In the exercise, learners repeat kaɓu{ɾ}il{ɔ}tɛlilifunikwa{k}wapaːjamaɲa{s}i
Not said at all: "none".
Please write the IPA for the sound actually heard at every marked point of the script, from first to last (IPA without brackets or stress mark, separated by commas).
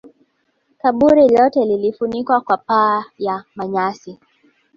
ɾ, ɔ, k, s